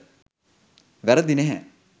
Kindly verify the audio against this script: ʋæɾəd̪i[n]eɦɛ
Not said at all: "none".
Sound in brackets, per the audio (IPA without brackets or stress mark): n